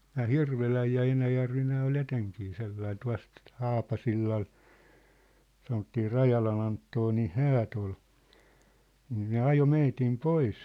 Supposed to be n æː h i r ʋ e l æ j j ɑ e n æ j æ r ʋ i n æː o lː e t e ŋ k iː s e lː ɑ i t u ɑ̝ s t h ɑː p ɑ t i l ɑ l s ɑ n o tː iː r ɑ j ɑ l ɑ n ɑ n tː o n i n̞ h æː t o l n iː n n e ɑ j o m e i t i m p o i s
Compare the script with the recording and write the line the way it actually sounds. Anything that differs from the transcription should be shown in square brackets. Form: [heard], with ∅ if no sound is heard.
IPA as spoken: n æː h i r ʋ e l æ j j ɑ e n æ j æ r ʋ i n æː o [l] e t e ŋ k iː s e lː ɑ i t u ɑ̝ s t h ɑː p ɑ [s] i [lː] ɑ l s ɑ n o tː iː r ɑ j ɑ l ɑ n ɑ n tː o n i n̞ h æː t o l n iː n n e ɑ j o m e i t i m p o i s